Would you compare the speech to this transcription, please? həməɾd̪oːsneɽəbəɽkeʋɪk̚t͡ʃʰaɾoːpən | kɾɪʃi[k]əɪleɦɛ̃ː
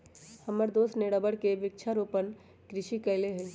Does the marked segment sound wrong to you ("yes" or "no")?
no